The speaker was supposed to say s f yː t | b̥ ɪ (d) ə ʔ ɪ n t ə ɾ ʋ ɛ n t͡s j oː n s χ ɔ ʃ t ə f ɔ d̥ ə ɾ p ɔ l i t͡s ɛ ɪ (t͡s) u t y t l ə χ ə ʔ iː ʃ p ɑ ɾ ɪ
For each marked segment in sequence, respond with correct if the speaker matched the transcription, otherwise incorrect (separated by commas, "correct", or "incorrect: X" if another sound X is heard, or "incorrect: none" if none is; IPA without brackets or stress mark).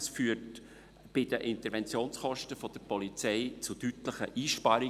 correct, correct